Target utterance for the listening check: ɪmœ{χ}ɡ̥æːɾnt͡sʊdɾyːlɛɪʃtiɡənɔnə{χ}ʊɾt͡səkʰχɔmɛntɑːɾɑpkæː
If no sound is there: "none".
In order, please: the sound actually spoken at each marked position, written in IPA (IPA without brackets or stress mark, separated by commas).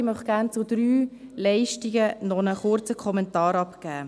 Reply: χ, χ